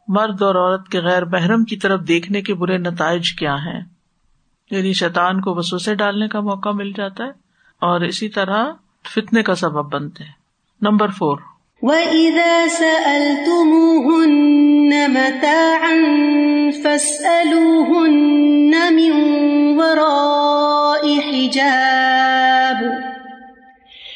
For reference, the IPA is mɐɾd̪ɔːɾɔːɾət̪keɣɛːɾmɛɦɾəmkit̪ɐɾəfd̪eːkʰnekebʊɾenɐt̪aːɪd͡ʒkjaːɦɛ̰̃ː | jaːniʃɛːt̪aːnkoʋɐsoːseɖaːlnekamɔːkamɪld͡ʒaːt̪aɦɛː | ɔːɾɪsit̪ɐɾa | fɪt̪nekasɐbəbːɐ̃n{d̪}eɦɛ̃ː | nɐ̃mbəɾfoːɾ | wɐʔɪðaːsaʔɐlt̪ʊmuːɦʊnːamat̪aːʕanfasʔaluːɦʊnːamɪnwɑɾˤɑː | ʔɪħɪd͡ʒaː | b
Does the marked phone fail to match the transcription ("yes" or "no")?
yes